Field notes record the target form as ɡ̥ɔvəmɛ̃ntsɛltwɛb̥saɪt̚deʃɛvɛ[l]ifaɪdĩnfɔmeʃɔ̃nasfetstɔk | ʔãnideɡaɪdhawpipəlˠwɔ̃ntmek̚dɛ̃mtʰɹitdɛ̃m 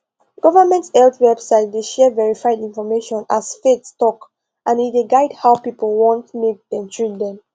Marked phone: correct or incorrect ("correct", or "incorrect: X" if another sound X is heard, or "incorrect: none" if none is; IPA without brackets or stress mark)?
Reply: incorrect: ɹ